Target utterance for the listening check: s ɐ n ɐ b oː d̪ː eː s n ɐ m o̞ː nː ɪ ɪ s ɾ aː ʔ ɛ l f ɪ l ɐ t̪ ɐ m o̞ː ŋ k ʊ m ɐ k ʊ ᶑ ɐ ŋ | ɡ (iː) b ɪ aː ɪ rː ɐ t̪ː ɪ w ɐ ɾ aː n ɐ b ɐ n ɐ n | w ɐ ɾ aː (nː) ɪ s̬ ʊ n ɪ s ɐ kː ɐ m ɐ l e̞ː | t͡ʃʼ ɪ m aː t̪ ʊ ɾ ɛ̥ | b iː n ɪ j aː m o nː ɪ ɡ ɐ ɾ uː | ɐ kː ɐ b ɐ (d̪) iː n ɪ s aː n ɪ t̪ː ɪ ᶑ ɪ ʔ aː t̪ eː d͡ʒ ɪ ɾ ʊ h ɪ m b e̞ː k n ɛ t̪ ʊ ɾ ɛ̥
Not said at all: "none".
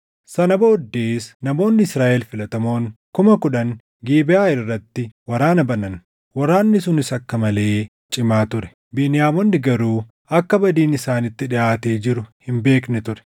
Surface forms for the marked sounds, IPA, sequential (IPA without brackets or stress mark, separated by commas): iː, nː, d̪